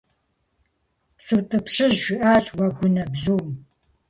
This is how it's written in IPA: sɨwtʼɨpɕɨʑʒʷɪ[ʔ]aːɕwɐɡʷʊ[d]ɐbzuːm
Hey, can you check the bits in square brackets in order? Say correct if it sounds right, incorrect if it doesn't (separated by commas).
correct, incorrect